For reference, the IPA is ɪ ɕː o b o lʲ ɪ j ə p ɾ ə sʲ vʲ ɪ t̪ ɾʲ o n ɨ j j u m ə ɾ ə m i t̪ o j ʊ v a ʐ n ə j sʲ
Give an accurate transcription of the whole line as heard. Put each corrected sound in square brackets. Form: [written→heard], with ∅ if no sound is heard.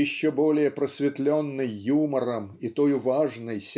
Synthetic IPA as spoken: ɪ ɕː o b o lʲ ɪ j ə p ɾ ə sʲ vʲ ɪ t̪ [ɾʲ→lʲ] o [n→nː] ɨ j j u m ə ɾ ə m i t̪ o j ʊ v a ʐ n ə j sʲ